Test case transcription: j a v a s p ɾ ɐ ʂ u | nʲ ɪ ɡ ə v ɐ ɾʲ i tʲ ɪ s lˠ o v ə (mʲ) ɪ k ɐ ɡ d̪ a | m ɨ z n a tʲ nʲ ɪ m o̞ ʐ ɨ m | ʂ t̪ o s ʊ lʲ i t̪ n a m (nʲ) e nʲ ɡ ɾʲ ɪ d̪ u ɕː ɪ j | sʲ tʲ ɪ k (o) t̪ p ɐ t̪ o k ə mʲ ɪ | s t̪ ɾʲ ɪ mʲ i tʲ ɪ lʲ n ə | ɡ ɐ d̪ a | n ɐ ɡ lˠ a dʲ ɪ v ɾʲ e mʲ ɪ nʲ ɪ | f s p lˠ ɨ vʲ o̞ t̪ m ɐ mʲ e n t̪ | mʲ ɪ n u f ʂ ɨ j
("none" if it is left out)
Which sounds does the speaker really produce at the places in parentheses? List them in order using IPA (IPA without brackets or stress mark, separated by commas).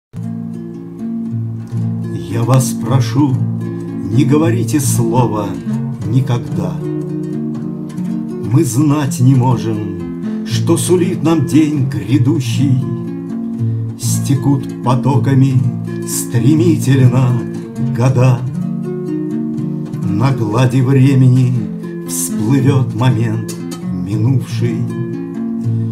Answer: nʲ, dʲ, u